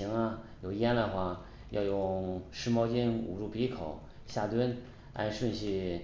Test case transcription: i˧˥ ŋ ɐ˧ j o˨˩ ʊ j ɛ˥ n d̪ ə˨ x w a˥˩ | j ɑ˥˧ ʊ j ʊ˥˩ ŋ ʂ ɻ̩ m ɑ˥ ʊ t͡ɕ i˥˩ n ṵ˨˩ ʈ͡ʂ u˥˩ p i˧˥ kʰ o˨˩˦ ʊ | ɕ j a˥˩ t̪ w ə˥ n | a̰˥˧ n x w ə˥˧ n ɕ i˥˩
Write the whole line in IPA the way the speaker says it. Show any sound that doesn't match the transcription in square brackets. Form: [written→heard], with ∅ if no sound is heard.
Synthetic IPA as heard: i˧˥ ŋ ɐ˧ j o˨˩ ʊ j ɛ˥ n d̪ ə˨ x w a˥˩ | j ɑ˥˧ ʊ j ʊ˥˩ ŋ ʂ ɻ̩ m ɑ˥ ʊ t͡ɕ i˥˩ n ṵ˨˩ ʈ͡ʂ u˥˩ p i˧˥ kʰ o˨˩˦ ʊ | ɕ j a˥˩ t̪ w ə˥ n | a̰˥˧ n [x→ʂ] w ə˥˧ n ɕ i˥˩